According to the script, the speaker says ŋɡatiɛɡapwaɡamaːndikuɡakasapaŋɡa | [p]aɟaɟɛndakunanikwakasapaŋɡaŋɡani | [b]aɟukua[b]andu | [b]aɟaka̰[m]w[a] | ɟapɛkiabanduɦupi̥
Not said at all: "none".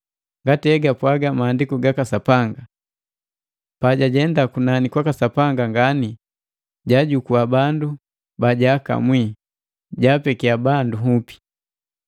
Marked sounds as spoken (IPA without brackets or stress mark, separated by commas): p, ɟ, b, b, m, i